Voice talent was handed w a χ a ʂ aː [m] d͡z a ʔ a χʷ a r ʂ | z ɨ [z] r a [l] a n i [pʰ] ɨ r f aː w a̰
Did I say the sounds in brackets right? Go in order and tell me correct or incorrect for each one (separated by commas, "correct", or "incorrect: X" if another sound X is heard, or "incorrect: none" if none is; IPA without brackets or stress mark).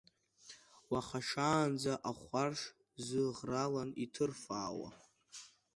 incorrect: n, incorrect: ʁ, correct, incorrect: tʰ